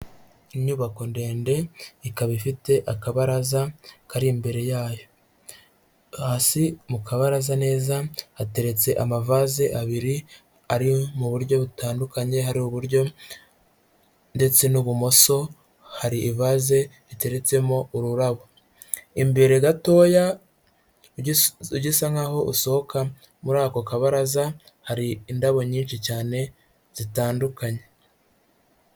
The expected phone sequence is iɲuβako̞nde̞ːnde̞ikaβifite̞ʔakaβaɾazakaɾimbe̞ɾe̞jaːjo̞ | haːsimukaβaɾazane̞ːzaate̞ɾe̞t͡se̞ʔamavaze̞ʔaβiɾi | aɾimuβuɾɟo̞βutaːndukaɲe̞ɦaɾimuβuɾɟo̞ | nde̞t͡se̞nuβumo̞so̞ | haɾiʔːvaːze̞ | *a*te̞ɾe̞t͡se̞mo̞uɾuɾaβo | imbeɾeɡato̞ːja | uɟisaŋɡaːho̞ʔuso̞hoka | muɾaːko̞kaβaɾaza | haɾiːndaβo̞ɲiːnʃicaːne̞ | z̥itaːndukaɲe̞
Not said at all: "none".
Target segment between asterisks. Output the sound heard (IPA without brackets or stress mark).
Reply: i